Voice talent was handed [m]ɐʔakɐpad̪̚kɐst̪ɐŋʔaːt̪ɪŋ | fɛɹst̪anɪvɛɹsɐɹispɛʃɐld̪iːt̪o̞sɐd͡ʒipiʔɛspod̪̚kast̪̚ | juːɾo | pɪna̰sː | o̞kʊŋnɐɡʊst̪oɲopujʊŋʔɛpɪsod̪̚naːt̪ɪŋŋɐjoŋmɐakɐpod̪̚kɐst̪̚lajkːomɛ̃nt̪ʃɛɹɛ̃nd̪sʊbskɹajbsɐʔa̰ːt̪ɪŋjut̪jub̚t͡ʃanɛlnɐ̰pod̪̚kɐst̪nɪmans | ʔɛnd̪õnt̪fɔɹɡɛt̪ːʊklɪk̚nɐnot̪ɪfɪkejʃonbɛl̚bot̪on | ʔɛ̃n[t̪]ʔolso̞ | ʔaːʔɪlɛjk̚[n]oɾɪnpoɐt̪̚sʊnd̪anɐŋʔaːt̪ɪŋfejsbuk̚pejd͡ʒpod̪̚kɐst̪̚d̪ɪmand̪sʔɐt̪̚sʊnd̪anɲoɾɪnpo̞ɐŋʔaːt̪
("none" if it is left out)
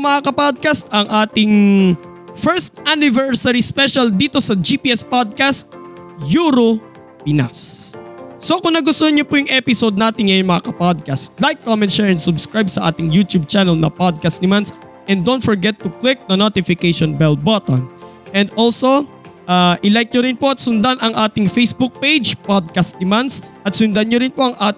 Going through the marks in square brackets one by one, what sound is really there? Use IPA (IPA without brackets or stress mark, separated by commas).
m, d̪, ɲ